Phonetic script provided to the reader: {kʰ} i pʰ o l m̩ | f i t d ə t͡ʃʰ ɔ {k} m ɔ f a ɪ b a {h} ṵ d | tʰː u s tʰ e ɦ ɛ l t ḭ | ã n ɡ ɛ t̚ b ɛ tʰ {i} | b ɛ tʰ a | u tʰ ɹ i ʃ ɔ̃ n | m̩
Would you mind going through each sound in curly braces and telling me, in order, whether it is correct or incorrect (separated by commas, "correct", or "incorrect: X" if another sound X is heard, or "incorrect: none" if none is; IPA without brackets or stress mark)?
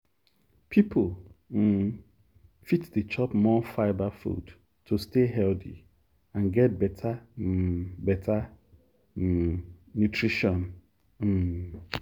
incorrect: pʰ, incorrect: p, incorrect: f, incorrect: a